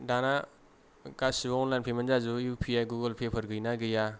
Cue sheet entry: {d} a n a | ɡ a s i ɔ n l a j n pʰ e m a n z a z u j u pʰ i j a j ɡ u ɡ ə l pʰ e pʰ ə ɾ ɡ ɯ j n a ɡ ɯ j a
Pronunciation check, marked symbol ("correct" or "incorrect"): correct